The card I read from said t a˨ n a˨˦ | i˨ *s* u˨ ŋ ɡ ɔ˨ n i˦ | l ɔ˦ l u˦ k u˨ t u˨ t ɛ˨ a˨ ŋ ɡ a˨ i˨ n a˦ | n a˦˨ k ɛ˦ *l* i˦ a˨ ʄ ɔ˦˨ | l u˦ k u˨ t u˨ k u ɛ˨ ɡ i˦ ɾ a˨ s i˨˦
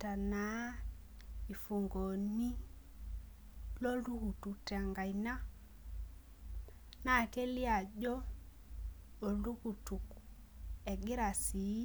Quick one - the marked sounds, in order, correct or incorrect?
incorrect, correct

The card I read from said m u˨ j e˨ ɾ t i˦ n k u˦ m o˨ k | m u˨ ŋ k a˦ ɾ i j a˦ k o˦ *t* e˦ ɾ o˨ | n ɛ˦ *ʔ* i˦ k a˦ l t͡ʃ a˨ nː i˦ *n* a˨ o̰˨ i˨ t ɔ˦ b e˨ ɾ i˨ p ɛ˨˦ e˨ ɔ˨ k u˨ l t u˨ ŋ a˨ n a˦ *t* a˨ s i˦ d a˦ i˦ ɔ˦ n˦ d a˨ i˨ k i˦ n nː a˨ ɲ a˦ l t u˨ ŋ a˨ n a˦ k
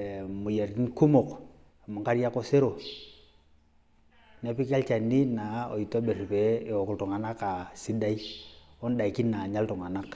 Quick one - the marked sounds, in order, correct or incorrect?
incorrect, incorrect, correct, incorrect

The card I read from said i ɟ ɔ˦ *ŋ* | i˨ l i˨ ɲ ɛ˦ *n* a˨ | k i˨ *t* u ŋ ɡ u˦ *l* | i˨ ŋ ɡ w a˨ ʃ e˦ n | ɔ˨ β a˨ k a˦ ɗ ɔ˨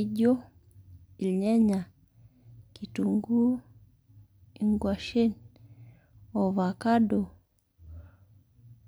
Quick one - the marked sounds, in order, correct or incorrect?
incorrect, incorrect, correct, incorrect

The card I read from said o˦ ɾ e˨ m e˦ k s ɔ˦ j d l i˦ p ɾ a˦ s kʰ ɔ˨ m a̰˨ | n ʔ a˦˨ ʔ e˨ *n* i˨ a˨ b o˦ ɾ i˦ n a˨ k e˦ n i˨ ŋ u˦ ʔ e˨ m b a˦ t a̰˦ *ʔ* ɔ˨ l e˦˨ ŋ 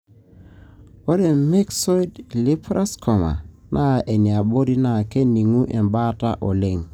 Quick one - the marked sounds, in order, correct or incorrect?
correct, correct

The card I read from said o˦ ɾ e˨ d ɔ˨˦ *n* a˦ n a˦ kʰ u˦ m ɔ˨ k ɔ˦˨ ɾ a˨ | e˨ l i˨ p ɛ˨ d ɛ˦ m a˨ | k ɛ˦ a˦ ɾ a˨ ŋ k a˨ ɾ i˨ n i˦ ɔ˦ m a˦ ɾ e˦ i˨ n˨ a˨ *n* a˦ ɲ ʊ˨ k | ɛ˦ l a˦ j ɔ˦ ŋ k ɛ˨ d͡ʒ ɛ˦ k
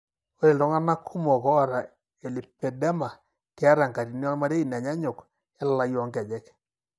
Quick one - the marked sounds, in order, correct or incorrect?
incorrect, incorrect

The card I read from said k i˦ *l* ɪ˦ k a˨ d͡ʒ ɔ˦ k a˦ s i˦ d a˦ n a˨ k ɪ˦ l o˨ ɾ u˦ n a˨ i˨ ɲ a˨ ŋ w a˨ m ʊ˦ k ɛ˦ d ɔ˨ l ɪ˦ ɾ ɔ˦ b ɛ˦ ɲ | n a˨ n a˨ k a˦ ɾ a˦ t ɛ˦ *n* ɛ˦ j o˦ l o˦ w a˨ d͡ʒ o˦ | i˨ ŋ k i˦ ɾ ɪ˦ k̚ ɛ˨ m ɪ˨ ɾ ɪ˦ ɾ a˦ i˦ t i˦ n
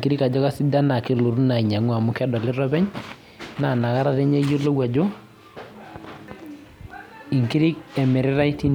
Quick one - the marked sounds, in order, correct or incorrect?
incorrect, incorrect

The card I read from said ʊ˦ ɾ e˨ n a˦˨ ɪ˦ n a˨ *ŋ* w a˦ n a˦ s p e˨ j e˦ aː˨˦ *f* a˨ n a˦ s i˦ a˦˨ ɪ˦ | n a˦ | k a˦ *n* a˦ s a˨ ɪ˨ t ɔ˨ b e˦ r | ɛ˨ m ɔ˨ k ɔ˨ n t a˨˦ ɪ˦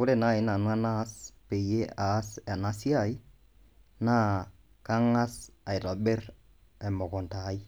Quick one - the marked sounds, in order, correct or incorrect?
incorrect, incorrect, incorrect

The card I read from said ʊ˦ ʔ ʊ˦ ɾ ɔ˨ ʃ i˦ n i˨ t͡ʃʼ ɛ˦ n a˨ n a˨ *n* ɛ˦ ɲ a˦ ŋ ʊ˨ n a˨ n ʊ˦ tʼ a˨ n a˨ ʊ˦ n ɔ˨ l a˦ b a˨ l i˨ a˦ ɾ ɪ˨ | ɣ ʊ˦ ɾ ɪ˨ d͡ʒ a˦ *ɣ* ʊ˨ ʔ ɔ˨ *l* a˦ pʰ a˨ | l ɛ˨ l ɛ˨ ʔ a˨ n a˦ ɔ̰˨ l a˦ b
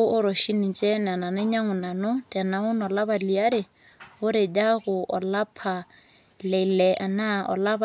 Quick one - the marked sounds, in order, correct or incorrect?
correct, correct, correct

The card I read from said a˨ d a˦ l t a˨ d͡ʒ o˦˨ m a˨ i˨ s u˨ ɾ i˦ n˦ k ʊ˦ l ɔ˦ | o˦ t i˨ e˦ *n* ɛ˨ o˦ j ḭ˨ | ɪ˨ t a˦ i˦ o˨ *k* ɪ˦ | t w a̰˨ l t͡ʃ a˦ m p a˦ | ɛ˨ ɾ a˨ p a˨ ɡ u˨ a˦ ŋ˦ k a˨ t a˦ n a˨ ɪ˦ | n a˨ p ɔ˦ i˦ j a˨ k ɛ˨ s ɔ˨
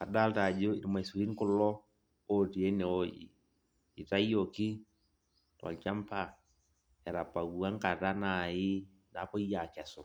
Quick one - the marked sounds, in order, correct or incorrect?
correct, correct

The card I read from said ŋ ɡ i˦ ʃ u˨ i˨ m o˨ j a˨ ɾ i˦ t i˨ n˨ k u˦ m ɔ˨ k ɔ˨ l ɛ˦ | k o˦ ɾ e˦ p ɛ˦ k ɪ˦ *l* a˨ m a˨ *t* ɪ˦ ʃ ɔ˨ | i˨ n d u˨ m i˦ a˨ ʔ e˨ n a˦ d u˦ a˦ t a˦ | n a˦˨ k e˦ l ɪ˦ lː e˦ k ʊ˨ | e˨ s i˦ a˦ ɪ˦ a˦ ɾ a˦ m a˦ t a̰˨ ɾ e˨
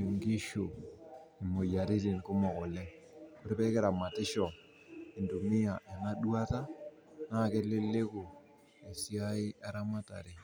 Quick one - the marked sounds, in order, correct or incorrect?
incorrect, correct

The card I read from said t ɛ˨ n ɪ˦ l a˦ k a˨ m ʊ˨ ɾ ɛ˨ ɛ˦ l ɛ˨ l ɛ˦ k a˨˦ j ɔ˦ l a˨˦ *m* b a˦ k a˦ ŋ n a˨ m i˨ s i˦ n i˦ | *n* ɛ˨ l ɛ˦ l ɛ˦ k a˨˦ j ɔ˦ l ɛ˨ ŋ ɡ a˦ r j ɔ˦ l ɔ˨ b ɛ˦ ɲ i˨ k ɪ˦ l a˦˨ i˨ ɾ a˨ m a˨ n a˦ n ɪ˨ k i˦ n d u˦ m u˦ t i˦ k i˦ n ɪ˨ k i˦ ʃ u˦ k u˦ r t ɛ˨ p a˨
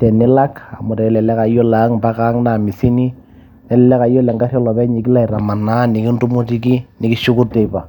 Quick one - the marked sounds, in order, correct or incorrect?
incorrect, correct

